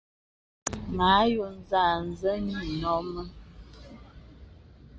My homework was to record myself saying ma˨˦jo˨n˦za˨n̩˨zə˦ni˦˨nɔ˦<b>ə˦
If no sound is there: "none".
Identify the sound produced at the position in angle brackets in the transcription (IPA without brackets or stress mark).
m